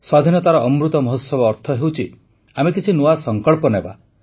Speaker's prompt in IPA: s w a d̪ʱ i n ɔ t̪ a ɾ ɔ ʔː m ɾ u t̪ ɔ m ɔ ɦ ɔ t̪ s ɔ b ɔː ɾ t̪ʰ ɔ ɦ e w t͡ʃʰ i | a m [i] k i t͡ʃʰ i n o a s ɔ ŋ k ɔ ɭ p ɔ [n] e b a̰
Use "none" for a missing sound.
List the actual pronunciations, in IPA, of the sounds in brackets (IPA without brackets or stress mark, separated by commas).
e, n